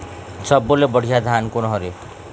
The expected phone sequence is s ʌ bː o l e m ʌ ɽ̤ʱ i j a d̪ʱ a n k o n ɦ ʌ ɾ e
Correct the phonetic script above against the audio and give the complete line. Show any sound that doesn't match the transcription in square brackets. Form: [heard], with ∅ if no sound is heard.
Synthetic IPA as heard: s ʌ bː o l e [b] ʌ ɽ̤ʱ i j a d̪ʱ a n k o n ɦ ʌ ɾ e